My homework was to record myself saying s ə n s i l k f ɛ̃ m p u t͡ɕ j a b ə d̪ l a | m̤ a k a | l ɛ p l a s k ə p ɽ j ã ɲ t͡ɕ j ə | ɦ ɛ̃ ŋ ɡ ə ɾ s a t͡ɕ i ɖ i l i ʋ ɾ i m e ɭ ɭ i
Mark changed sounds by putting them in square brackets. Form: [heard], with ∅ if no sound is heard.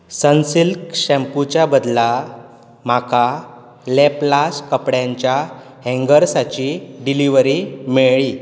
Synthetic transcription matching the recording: s ə n s i l k [ɕ] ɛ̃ m p u t͡ɕ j a b ə d̪ l a | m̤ a k a | l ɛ p l a s k ə p ɽ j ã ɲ t͡ɕ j [a] | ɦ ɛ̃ ŋ ɡ ə ɾ s a t͡ɕ i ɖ i l i ʋ ɾ i m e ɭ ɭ i